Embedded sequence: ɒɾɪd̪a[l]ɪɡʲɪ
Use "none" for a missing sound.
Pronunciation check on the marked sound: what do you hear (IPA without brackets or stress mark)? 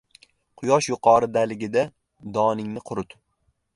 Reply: l